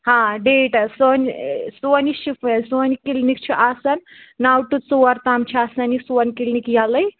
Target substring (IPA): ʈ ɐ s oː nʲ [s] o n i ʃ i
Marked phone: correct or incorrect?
correct